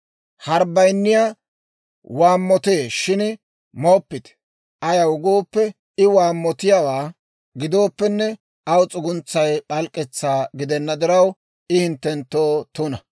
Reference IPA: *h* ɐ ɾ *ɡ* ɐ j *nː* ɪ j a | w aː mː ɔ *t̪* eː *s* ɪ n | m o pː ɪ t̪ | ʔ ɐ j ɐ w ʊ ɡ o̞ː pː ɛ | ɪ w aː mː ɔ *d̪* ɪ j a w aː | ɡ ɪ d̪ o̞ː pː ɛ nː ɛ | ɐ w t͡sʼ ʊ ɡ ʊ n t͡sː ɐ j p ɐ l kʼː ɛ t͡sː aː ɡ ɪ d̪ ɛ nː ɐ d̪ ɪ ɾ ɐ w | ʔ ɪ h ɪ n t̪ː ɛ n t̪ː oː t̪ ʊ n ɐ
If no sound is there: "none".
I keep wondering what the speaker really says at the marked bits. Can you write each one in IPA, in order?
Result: h, b, nː, t̪, ʃ, t̪

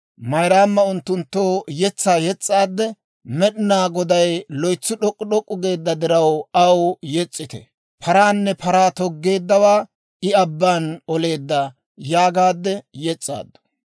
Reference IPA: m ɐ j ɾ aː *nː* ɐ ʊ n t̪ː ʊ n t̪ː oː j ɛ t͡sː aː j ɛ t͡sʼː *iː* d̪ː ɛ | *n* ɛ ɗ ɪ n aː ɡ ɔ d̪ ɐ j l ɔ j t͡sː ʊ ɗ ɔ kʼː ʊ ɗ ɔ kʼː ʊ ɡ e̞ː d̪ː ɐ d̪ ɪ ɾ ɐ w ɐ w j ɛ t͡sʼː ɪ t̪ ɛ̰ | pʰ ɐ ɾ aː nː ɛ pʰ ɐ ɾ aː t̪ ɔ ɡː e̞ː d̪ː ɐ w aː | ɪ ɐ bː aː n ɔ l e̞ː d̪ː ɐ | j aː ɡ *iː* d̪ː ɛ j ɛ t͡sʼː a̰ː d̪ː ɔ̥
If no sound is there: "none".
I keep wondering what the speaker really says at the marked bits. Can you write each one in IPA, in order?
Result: mː, aː, m, aː

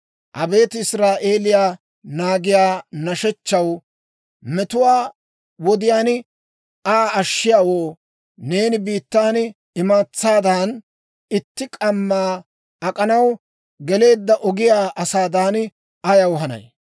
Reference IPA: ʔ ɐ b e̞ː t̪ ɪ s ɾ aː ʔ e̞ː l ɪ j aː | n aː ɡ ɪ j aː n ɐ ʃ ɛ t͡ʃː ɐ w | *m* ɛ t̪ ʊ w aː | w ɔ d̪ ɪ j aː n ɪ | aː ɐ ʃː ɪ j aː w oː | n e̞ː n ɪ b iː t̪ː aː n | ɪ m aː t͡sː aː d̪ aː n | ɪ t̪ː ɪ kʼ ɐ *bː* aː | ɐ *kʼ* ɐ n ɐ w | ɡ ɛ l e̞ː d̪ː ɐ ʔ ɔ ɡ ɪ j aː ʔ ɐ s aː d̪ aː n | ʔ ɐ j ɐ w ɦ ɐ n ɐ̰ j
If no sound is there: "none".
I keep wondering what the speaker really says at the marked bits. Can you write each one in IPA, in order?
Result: m, mː, kʼ

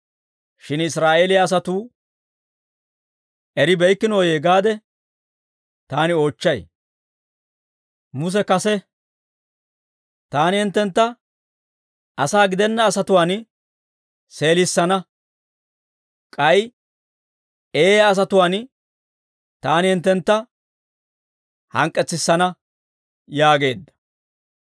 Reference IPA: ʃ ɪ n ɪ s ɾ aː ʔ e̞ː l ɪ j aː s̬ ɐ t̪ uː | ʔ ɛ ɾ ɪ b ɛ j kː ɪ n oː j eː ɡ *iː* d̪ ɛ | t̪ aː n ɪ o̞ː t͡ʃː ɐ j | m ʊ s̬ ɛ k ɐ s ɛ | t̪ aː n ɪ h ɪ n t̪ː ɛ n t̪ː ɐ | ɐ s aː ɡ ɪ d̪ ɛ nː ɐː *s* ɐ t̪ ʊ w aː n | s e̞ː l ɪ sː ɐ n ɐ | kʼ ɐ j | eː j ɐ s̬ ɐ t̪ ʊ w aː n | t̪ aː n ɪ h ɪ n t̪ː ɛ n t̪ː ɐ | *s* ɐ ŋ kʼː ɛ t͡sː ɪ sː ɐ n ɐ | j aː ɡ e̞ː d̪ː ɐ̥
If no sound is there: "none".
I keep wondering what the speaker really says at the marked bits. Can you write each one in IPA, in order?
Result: aː, s, h

